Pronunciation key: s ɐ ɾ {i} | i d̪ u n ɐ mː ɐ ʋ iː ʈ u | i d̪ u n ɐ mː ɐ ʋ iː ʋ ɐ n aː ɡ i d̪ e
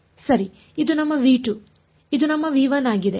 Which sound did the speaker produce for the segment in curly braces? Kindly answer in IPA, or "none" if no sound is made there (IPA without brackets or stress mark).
i